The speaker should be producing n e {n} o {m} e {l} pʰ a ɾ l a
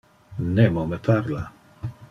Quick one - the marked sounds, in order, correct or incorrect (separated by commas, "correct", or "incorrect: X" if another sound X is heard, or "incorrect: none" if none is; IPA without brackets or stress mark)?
incorrect: m, correct, incorrect: none